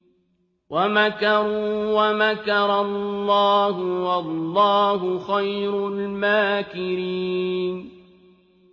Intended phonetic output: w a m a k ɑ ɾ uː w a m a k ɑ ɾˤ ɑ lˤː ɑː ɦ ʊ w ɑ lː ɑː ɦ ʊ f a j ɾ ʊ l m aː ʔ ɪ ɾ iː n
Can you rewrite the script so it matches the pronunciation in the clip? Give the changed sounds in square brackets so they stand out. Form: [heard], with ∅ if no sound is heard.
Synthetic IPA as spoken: w a m a k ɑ ɾ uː w a m a k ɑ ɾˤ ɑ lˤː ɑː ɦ ʊ w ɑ lː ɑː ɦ ʊ [x] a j ɾ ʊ l m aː [k] ɪ ɾ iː n